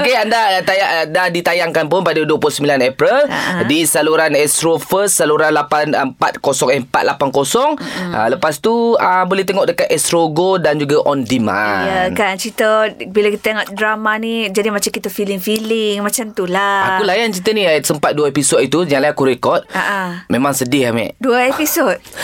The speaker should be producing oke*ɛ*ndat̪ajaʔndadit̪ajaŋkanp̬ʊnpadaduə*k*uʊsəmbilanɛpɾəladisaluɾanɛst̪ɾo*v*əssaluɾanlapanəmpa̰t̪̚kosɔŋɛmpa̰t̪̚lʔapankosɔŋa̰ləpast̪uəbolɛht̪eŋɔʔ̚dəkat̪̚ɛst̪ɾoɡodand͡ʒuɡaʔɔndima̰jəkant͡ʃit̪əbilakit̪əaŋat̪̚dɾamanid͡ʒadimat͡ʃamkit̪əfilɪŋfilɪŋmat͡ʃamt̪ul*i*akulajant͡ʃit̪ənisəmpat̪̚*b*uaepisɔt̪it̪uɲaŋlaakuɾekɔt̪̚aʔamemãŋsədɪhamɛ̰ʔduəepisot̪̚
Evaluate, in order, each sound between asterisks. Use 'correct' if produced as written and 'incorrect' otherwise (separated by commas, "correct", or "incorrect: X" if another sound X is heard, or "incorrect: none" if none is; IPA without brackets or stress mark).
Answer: incorrect: a, incorrect: p, incorrect: f, incorrect: a, incorrect: d